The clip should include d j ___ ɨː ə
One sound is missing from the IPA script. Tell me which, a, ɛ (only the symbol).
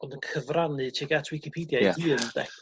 a